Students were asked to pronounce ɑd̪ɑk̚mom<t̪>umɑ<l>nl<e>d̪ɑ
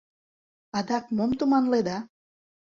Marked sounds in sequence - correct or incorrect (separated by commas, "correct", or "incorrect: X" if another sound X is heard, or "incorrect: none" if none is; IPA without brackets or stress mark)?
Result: correct, incorrect: none, correct